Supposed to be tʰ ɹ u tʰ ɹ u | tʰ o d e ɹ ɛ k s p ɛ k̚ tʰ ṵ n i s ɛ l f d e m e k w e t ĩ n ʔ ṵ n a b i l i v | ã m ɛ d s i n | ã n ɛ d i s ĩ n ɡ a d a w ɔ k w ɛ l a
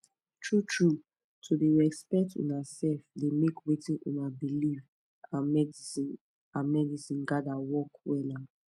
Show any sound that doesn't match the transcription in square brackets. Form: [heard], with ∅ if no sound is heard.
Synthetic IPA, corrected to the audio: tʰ ɹ u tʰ ɹ u | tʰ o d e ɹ ɛ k s p ɛ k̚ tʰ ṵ n [a] s ɛ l f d e m e k w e t ĩ n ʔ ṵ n a b i l i v | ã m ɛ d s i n | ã [m] ɛ d i s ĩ n ɡ a d a w ɔ k w ɛ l a